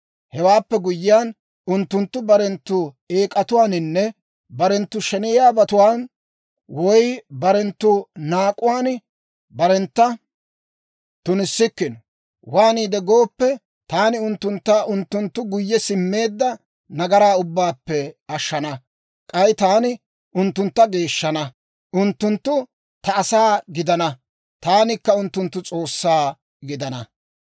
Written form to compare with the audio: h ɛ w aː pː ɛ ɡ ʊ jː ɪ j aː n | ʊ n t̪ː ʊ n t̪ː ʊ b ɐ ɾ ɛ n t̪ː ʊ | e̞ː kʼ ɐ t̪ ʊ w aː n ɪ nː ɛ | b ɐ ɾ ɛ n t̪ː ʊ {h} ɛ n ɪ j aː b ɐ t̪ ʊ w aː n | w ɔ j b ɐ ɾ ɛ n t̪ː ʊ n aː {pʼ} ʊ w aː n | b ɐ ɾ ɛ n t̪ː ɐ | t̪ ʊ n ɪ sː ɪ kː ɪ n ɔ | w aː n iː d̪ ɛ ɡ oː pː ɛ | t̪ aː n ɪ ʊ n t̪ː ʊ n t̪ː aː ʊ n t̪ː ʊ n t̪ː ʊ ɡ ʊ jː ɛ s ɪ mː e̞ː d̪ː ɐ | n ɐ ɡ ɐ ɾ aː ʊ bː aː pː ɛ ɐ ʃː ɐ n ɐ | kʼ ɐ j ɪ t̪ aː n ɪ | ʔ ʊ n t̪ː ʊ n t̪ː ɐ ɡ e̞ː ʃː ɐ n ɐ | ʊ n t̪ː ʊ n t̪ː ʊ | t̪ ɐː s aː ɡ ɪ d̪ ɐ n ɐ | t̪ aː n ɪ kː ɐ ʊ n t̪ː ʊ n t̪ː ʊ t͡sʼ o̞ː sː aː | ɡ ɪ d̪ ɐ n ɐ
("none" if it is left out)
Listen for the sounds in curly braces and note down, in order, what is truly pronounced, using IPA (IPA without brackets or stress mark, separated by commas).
ʃ, kʼ